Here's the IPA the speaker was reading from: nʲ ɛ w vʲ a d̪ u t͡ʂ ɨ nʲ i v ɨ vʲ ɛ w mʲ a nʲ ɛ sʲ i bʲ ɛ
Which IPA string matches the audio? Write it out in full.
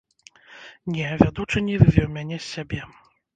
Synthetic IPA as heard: nʲ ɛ vʲ a d̪ u t͡ʂ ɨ nʲ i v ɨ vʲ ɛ w mʲ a nʲ ɛ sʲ a bʲ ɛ